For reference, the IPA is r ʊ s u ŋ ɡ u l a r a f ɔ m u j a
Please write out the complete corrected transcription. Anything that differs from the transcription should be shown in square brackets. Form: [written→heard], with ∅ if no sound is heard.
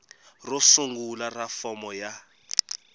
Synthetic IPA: r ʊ s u ŋ ɡ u l a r a f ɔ m [u→ɔ] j a